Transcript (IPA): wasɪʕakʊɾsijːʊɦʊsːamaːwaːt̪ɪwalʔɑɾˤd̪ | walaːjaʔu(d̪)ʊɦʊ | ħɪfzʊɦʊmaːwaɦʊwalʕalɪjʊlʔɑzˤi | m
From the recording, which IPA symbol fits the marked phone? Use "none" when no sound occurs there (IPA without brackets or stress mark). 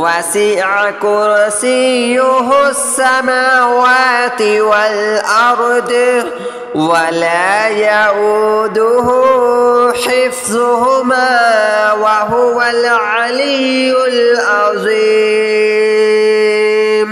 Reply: d̪